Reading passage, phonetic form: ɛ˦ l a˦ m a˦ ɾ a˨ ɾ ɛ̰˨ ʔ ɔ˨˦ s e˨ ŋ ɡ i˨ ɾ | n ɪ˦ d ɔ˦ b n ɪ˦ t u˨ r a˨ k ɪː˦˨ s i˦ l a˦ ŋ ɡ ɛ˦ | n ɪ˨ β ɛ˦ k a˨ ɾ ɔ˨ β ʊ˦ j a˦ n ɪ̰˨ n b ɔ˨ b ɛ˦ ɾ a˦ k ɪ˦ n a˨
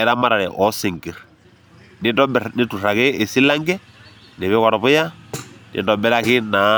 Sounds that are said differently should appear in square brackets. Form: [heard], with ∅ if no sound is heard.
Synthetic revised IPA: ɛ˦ [ɾ] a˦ m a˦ ɾ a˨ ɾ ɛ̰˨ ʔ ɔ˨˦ s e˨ ŋ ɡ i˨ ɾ | n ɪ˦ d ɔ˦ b n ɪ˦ t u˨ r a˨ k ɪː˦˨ s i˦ l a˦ ŋ ɡ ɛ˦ | n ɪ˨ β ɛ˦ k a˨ ɾ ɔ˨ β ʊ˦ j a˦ n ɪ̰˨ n [d] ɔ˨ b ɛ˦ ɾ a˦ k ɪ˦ n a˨